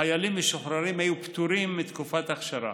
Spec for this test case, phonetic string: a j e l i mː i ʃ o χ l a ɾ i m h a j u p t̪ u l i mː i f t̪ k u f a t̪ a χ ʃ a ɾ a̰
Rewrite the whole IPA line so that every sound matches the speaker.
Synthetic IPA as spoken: a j a l i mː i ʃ o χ ɾ a ɾ i m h a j u p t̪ u ɾ i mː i t̪ k u f a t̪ a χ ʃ a ɾ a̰